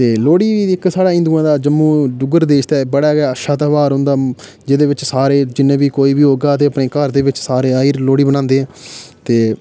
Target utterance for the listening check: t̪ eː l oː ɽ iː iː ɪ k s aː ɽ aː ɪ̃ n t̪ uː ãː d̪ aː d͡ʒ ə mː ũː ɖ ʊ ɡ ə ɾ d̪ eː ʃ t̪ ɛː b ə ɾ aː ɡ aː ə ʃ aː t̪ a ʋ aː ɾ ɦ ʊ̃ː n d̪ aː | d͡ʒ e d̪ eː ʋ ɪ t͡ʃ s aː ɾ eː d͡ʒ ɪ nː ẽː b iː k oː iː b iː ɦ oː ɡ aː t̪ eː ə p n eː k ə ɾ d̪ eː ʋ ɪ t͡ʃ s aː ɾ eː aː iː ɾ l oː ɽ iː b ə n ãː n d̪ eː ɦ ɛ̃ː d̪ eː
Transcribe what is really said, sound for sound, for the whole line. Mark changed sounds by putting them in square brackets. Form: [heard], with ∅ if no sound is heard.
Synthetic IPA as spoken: t̪ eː l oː ɽ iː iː ɪ k s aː ɽ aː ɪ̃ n [d̪] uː ãː d̪ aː d͡ʒ ə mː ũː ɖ ʊ ɡ ə ɾ d̪ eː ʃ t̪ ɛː b ə [ɽ] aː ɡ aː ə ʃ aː t̪ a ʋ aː ɾ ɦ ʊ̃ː n d̪ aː | d͡ʒ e d̪ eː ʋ ɪ t͡ʃ s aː ɾ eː d͡ʒ ɪ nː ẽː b iː k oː iː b iː ɦ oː ɡ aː t̪ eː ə p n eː k ə ɾ d̪ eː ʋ ɪ t͡ʃ s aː ɾ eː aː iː ɾ l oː ɽ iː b ə n ãː n d̪ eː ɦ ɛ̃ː [t̪] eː

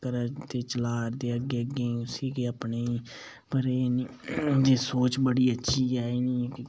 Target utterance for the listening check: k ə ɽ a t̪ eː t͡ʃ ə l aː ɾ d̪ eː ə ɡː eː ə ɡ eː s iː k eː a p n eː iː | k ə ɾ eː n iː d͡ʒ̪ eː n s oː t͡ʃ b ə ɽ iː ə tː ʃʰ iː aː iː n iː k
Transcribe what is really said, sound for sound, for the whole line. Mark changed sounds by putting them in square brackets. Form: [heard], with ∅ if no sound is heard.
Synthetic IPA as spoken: k ə [ɾ] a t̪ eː t͡ʃ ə l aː ɾ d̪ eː ə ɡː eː ə ɡ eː s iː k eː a p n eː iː | [p] ə ɾ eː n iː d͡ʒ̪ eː [∅] s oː t͡ʃ b ə ɽ iː ə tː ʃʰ iː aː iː n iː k

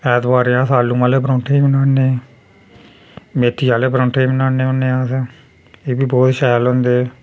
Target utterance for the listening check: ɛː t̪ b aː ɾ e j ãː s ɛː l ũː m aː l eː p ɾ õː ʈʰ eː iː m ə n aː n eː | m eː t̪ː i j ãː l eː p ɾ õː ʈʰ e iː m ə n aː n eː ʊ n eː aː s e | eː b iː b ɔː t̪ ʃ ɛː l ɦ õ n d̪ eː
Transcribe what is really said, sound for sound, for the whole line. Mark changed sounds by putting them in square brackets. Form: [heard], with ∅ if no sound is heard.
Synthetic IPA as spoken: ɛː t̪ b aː ɾ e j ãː s [aː] l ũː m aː l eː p ɾ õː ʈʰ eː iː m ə n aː n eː | m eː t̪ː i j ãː l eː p ɾ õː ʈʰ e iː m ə n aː n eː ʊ n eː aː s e | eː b iː b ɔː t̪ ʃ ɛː l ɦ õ n d̪ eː

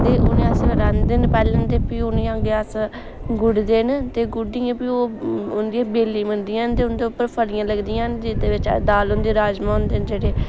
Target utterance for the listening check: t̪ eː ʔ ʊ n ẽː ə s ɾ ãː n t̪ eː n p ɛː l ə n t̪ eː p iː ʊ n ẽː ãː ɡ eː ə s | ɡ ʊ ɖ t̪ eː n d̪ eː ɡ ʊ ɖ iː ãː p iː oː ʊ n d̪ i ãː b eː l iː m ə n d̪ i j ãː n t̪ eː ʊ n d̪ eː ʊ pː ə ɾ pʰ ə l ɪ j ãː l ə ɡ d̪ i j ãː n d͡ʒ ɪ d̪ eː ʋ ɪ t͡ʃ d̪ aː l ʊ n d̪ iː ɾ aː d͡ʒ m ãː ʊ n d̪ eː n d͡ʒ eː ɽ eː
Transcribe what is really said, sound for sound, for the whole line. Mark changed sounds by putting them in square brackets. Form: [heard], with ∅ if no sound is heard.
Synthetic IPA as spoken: t̪ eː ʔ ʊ n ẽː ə s ɾ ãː n [d̪] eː n p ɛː l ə n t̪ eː p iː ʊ n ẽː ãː ɡ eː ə s | ɡ ʊ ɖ [d̪] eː n [t̪] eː ɡ ʊ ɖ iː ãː p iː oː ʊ n d̪ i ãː b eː l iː m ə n d̪ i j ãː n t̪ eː ʊ n d̪ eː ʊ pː ə ɾ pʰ ə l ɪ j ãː l ə ɡ d̪ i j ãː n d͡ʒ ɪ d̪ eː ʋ ɪ t͡ʃ d̪ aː l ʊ n d̪ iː ɾ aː d͡ʒ m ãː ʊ n d̪ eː n d͡ʒ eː ɽ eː

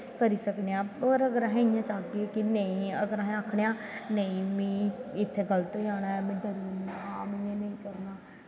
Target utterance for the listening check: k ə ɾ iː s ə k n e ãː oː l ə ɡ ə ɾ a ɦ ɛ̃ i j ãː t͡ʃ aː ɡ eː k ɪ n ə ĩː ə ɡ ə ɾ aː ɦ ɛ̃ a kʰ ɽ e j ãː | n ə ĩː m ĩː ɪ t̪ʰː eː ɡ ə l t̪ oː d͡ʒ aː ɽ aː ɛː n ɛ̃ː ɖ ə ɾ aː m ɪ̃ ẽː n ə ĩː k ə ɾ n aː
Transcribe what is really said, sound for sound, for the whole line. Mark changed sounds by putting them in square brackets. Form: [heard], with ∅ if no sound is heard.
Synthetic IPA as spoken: k ə ɾ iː s ə k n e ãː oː [ɾ] ə ɡ ə ɾ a ɦ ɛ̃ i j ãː t͡ʃ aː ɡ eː k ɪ n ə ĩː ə ɡ ə ɾ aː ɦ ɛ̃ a kʰ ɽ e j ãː | n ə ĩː m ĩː ɪ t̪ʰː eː ɡ ə l t̪ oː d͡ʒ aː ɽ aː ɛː [m] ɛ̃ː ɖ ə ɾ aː m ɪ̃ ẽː n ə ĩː k ə ɾ n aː

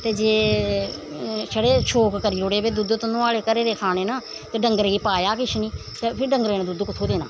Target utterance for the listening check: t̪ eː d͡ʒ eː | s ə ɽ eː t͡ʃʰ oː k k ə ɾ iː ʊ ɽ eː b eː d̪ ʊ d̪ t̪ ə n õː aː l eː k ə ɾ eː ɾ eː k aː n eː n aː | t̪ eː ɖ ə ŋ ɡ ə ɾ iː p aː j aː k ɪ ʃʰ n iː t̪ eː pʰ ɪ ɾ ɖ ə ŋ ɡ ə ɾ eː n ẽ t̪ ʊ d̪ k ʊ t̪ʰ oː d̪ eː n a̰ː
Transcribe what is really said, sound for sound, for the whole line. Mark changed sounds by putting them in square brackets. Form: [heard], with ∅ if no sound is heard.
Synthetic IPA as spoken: t̪ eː d͡ʒ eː | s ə ɽ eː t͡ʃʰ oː k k ə ɾ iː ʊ ɽ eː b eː d̪ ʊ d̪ t̪ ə n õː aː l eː k ə ɾ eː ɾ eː [kʰ] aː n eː n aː | t̪ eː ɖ ə ŋ ɡ ə ɾ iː p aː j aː k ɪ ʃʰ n iː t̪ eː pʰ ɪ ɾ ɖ ə ŋ ɡ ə ɾ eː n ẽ [d̪] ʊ d̪ k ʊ t̪ʰ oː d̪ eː n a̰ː

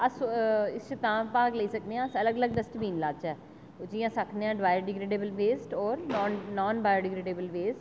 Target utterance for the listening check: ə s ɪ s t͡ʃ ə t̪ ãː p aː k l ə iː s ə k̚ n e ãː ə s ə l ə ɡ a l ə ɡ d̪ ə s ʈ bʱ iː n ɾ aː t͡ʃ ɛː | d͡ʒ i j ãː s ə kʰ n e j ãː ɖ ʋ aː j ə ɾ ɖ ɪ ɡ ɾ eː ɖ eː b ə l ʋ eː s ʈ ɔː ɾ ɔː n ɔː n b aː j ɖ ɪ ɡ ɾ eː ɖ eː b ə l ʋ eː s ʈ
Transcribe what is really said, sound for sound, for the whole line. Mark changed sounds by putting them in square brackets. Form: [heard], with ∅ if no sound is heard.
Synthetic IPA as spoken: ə s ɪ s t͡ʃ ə t̪ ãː p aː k l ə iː s ə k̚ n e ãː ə s ə l ə ɡ [ə] l ə ɡ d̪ ə s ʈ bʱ iː n [l] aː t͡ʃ ɛː | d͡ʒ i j ãː s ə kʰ n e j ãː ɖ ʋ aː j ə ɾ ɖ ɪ ɡ ɾ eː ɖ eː b ə l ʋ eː s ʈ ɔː ɾ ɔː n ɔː n b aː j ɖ ɪ ɡ ɾ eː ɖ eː b ə l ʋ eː s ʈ

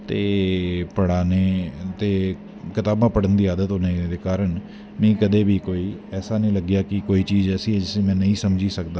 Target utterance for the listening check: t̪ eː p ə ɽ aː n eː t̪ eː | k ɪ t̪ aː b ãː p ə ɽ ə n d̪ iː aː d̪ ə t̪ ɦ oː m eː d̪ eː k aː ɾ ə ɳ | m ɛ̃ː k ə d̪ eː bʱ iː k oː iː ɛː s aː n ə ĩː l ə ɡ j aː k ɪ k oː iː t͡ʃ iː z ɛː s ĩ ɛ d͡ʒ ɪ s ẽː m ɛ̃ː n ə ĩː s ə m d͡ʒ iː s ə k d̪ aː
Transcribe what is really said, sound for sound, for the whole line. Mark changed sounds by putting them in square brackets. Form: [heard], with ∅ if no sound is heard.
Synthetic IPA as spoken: t̪ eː p ə ɽ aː n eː t̪ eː | k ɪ t̪ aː b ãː p ə ɽ ə n d̪ iː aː d̪ ə t̪ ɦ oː [n] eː d̪ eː k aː ɾ ə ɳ | m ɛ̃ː k ə d̪ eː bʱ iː k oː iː ɛː s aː n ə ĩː l ə ɡ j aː k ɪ k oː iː t͡ʃ iː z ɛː s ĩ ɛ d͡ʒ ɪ s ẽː m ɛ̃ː n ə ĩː s ə m d͡ʒ iː s ə k d̪ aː

